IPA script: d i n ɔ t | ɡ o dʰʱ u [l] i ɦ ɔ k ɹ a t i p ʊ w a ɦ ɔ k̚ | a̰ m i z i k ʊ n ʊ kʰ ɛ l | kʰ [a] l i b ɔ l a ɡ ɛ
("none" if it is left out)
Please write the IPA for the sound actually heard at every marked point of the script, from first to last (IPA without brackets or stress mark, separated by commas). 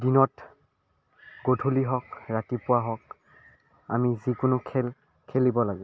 l, e